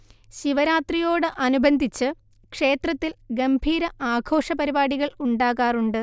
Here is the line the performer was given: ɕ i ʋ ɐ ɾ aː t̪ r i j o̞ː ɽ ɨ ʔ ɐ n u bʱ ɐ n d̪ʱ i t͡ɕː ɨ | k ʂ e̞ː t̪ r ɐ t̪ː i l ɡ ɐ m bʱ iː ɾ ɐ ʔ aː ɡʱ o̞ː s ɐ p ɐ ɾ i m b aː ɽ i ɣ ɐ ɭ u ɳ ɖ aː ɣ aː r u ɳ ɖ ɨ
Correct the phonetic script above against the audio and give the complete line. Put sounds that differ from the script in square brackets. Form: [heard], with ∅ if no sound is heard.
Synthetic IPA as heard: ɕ i ʋ ɐ ɾ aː t̪ r i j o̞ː ɽ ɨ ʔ ɐ n u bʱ ɐ n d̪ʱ i t͡ɕː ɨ | k ʂ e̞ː t̪ r ɐ t̪ː i l ɡ ɐ m bʱ iː ɾ ɐ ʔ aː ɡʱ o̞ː [ʂ] ɐ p ɐ ɾ i [∅] b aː ɽ i ɣ ɐ ɭ u ɳ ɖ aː ɣ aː r u ɳ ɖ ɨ